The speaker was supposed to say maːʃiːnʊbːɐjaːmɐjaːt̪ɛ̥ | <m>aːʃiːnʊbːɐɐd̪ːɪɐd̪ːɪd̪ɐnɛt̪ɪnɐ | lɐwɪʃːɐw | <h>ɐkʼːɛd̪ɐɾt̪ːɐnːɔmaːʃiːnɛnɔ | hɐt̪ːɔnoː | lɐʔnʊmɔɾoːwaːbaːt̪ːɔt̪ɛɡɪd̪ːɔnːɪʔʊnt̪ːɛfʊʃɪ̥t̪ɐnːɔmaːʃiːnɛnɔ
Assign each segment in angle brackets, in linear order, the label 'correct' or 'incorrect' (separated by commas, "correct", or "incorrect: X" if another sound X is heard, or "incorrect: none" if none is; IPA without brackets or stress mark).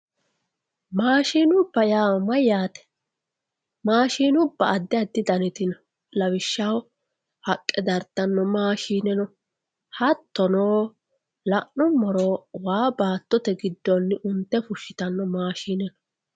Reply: correct, correct